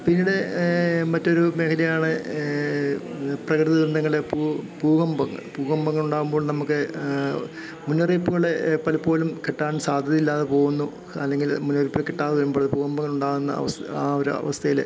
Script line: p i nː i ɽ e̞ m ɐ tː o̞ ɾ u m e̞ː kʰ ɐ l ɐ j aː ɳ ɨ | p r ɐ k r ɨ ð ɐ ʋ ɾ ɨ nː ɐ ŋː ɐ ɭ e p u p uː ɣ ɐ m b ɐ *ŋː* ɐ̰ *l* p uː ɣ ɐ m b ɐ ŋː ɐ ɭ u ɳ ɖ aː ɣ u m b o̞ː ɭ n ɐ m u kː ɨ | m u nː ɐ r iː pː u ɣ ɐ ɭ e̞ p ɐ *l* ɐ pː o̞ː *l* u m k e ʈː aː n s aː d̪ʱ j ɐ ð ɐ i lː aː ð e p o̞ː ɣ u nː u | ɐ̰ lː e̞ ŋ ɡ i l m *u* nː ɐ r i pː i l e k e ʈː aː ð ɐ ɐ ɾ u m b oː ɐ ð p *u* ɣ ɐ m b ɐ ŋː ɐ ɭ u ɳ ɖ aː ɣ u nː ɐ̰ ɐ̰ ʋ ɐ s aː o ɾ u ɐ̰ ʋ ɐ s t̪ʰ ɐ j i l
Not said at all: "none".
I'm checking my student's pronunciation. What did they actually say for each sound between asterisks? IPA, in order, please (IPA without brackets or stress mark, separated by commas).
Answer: ŋː, ɭ, l, l, u, uː